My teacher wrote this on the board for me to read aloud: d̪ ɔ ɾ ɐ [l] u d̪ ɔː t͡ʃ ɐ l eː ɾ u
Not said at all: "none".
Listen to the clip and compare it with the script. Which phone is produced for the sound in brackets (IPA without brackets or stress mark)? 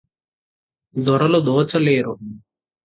l